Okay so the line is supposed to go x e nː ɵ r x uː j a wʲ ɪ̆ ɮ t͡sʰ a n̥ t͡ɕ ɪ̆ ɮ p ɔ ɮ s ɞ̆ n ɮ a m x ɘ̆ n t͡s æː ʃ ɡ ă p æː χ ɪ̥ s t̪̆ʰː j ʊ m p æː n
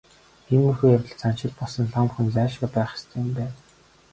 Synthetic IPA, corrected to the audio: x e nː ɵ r x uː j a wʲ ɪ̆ ɮ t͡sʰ a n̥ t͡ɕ ɪ̆ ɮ p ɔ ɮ s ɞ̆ n ɮ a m x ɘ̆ n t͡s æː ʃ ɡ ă p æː χ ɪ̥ s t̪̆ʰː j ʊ m p æː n